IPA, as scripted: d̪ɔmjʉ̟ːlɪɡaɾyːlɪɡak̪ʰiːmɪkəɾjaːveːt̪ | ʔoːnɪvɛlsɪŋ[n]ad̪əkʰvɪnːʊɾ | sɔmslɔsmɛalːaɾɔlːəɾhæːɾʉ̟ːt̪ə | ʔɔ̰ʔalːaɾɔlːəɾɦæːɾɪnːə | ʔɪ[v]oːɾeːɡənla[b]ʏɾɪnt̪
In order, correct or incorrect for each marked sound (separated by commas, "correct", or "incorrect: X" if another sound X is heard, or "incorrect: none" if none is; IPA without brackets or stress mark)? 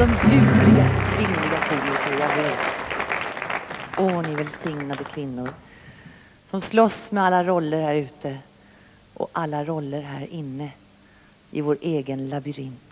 correct, correct, correct